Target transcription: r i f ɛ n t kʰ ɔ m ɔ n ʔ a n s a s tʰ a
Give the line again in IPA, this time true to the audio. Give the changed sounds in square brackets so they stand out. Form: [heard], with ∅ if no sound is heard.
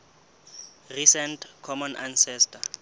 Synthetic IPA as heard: r i [s] ɛ n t kʰ ɔ m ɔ n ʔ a n s [ɛ] s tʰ a